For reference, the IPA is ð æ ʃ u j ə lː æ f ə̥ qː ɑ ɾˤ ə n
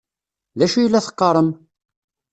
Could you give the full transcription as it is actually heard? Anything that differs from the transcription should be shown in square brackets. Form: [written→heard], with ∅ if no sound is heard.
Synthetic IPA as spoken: ð æ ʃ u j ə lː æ [f→θ] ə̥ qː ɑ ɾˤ ə [n→m]